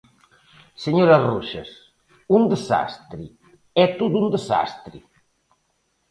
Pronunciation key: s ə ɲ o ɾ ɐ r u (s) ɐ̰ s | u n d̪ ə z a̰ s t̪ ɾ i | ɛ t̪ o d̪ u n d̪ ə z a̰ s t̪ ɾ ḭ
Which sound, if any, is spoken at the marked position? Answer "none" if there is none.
ʃ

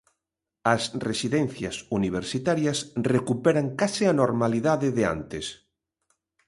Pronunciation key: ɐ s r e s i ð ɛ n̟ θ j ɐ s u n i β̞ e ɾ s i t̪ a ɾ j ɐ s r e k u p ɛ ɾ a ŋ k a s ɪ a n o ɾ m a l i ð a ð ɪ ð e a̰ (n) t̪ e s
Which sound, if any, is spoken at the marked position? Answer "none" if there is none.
n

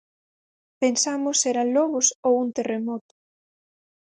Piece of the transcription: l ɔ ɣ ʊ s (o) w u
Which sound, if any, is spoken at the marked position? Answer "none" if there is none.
o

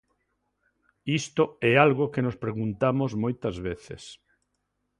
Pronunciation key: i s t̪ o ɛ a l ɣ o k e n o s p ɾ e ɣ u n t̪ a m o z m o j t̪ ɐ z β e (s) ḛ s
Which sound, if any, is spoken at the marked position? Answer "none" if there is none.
θ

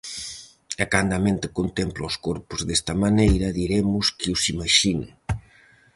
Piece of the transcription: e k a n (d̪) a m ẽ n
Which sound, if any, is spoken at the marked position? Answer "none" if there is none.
d̪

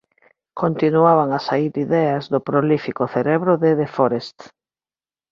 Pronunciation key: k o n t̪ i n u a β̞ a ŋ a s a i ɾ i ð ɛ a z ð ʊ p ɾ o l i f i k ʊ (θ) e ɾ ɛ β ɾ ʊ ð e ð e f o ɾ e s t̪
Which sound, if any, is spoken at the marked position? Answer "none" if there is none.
θ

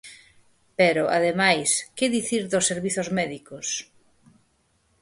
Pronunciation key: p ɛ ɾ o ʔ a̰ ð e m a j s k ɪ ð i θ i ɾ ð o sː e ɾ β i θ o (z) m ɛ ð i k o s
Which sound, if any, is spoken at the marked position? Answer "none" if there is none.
z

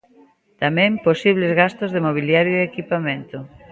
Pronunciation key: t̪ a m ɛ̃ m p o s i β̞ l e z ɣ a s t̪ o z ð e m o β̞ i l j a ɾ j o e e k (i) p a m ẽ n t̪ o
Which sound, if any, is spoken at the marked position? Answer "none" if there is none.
i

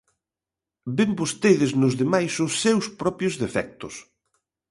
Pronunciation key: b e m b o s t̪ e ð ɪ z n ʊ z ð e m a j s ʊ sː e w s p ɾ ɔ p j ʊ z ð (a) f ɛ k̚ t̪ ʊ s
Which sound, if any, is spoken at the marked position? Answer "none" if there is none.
e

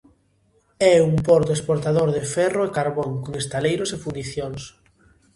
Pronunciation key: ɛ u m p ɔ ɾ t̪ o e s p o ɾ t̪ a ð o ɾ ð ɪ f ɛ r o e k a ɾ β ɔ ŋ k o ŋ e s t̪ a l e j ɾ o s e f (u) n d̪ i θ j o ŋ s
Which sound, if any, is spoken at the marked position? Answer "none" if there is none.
u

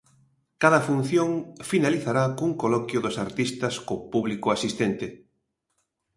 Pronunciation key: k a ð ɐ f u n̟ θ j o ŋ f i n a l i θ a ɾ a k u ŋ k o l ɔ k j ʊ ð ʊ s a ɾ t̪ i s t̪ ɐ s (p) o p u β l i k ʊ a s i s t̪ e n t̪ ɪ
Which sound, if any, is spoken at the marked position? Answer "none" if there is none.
k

